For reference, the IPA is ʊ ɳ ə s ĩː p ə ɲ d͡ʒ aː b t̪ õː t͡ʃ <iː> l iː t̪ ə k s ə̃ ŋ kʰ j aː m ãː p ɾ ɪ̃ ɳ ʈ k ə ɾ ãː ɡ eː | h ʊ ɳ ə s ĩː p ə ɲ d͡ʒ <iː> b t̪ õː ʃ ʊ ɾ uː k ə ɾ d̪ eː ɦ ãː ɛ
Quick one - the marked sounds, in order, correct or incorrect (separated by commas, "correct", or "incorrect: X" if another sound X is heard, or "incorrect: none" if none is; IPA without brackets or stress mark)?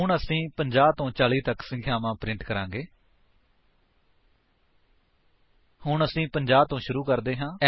incorrect: aː, incorrect: aː